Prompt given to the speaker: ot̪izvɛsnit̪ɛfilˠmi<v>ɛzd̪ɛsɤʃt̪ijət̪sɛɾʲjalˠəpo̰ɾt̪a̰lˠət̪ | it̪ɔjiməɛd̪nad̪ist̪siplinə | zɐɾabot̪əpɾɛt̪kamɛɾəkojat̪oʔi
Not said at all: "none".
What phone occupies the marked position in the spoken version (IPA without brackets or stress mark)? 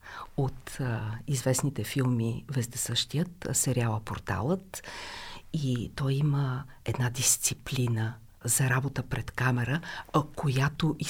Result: v